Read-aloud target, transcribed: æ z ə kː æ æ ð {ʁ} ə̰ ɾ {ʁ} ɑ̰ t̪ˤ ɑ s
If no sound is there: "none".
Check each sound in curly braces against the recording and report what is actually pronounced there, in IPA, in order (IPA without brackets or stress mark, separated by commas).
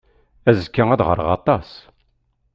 ʁ, ʁ